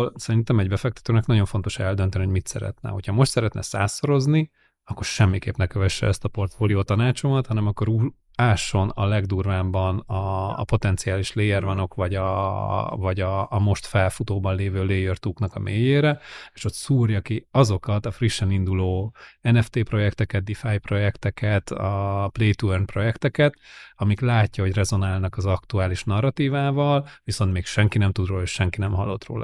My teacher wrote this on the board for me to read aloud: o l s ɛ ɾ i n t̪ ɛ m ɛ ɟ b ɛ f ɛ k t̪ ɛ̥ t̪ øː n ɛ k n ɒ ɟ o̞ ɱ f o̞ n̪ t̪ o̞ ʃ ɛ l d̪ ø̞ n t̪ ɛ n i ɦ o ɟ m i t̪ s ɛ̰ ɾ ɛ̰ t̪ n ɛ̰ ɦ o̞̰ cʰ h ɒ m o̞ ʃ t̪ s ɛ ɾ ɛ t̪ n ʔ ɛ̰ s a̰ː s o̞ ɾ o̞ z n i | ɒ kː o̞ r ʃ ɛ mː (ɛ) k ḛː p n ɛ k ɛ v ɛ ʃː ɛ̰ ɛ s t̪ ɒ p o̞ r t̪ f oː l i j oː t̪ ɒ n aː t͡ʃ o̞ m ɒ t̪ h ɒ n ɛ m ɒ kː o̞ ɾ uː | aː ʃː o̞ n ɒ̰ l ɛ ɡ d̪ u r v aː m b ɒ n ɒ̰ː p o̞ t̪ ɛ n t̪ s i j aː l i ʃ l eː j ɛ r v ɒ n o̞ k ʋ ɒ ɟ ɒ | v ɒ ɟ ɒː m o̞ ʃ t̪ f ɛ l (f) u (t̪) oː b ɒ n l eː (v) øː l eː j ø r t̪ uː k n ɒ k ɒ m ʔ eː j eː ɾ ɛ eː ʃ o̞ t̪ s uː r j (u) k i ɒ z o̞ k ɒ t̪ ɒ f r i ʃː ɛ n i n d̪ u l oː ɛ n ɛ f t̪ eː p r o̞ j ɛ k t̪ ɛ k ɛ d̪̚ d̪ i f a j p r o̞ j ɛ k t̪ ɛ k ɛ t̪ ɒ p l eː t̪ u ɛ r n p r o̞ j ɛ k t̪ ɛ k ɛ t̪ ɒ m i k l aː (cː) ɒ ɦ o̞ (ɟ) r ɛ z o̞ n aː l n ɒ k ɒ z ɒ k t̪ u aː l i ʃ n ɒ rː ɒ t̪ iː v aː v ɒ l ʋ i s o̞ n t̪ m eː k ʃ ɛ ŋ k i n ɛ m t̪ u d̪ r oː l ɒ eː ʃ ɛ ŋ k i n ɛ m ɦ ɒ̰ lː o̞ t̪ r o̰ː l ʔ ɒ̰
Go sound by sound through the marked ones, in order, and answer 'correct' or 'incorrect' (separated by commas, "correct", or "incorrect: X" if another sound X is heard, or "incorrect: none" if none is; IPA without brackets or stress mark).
incorrect: i, correct, correct, correct, incorrect: ɒ, correct, correct